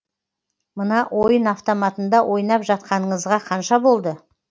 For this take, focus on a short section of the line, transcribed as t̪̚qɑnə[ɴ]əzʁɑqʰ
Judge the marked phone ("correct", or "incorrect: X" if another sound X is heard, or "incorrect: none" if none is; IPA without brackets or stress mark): correct